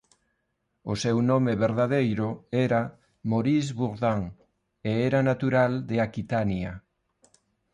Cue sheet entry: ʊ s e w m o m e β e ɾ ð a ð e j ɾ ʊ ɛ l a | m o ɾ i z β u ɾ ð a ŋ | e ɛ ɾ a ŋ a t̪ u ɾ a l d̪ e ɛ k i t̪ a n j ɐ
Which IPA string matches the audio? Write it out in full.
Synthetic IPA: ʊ s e w n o m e β e ɾ ð a ð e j ɾ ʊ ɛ ɾ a | m o ɾ i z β u ɾ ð a ŋ | e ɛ ɾ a n a t̪ u ɾ a l d̪ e a k i t̪ a n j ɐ